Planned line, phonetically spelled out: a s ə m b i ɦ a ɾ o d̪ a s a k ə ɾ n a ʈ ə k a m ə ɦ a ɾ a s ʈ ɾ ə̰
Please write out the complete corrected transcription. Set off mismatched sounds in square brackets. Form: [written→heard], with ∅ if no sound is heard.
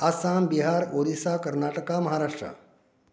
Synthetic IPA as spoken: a s [ə→a] m b i ɦ a ɾ o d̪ [a→i] s a k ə ɾ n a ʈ ə k a m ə ɦ a ɾ a [s→ʂ] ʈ ɾ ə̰